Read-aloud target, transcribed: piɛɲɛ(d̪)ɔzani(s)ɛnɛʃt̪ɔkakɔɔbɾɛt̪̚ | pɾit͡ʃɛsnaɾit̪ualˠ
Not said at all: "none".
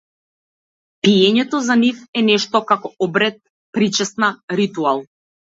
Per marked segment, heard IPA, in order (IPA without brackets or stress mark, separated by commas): t̪, f